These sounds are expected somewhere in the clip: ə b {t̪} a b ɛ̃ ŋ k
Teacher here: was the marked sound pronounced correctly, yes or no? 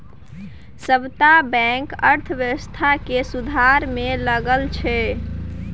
yes